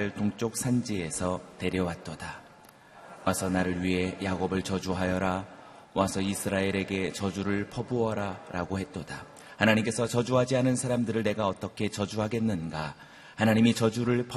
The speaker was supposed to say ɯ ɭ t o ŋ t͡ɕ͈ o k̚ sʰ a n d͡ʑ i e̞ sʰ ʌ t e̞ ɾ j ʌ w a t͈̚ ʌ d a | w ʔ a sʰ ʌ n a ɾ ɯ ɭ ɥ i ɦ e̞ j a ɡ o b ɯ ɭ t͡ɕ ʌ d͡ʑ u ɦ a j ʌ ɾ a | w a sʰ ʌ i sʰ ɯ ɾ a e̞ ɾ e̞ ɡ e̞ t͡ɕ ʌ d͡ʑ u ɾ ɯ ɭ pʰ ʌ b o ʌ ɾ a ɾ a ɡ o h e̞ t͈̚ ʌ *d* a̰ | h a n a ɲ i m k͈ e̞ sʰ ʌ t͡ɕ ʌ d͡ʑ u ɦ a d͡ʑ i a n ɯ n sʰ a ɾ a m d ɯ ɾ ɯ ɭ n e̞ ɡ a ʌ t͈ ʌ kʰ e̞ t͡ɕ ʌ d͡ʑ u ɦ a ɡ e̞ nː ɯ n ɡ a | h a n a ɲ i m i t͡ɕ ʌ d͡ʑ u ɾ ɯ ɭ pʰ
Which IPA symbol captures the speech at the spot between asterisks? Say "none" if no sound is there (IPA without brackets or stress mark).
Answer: d